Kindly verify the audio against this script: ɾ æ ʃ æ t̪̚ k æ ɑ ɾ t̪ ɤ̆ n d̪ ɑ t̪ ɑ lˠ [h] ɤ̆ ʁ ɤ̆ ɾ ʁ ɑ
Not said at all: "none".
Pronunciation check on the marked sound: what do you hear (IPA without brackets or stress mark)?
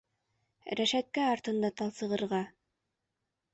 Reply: s